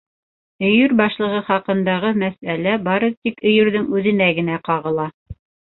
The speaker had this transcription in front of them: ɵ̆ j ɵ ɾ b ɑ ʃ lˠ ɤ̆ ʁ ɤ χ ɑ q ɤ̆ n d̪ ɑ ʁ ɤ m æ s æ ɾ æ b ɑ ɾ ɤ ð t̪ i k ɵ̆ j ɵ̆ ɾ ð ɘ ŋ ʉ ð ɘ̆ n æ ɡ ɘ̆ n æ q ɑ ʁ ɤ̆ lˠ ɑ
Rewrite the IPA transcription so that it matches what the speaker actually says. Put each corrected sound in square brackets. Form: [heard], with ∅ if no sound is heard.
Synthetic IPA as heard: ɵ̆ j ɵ ɾ b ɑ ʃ lˠ ɤ̆ ʁ ɤ χ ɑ q ɤ̆ n d̪ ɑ ʁ ɤ m æ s æ [l] æ b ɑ ɾ ɤ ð t̪ i k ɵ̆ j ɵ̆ ɾ ð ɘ ŋ ʉ ð ɘ̆ n æ ɡ ɘ̆ n æ q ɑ ʁ ɤ̆ lˠ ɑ